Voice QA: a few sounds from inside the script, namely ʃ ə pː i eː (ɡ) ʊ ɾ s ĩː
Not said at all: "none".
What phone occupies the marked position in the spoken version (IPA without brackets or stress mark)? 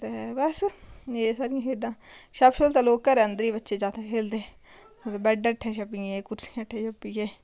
k